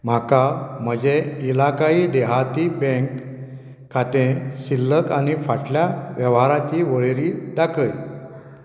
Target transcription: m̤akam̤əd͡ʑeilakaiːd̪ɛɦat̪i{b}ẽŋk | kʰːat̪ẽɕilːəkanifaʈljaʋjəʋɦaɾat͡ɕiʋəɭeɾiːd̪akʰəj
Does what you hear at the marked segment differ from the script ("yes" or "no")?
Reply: no